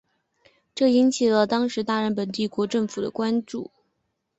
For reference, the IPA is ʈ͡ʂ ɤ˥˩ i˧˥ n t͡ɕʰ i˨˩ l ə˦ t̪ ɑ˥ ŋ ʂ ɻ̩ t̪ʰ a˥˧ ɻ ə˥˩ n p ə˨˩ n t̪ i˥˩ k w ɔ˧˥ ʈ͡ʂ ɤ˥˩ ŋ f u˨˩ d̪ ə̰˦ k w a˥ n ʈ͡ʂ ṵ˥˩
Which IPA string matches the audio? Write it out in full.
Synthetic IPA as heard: ʈ͡ʂ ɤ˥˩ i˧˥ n t͡ɕʰ i˨˩ l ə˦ t̪ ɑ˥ ŋ ʂ ɻ̩ t̪ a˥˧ ɻ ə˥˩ n p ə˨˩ n t̪ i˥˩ k w ɔ˧˥ ʈ͡ʂ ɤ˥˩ ŋ f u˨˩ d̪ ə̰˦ k w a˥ n ʈ͡ʂ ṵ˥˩